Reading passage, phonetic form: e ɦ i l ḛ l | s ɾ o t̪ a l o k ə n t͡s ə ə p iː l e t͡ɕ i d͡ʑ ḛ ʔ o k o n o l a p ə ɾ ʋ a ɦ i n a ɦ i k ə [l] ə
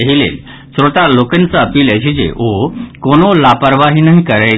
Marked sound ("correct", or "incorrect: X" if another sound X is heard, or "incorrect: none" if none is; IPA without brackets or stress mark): incorrect: ɾ